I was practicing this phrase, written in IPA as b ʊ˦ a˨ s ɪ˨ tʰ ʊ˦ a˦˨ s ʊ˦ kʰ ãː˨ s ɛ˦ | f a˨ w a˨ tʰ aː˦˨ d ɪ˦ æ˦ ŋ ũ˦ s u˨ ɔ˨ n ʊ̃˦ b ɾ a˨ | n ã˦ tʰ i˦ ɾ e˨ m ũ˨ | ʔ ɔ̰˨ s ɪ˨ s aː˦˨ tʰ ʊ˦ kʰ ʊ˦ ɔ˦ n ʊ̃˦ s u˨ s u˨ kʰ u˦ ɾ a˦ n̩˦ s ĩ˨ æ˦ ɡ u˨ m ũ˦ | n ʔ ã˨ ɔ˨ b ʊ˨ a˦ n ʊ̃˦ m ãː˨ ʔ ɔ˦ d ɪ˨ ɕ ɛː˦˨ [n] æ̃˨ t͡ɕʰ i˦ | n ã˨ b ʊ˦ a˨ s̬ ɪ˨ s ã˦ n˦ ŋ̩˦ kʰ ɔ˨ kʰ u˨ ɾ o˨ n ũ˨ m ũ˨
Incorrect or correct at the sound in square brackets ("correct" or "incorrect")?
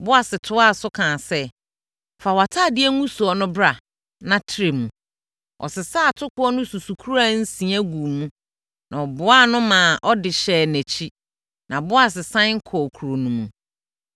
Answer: correct